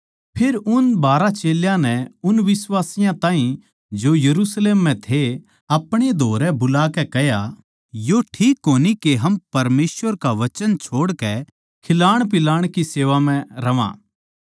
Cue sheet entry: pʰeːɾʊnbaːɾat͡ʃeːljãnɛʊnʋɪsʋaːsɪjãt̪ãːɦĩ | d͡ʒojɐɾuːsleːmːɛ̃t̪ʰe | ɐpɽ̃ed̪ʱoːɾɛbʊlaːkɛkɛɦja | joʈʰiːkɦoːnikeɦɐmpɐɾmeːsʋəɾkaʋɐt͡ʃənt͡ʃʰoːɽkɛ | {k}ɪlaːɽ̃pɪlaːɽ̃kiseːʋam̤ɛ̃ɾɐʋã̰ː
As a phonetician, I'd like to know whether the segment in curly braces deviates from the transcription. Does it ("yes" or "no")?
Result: yes